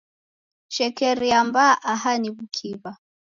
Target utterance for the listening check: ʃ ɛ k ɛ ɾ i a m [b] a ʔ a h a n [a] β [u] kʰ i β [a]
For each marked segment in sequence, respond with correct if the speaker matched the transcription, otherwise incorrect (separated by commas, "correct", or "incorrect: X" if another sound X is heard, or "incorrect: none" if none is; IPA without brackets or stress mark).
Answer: correct, incorrect: i, correct, correct